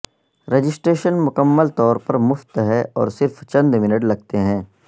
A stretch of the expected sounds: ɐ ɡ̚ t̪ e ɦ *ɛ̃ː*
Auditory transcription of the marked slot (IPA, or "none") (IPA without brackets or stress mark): ɛ̃ː